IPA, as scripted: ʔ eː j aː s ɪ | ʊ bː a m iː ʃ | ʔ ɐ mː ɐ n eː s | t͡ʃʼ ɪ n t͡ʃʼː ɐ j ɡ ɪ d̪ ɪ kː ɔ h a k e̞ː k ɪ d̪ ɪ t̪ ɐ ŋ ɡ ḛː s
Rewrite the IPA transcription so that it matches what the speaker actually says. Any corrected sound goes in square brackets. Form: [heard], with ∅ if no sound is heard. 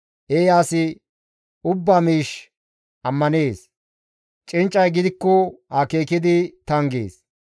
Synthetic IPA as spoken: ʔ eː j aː s ɪ | ʊ bː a m iː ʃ | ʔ ɐ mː ɐ n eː s | t͡ʃʼ ɪ n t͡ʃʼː ɐ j ɡ ɪ d̪ ɪ kː ɔ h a k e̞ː k ɪ d̪ ɪ t̪ ɐ ŋ ɡ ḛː s